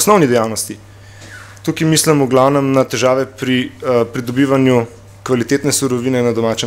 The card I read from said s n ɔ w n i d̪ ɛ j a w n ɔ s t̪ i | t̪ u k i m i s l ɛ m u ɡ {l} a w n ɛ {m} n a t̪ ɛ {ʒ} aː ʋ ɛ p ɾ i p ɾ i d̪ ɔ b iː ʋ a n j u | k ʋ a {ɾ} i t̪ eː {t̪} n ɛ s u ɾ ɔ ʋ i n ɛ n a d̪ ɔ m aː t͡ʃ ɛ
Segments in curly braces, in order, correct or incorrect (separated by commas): correct, correct, correct, incorrect, correct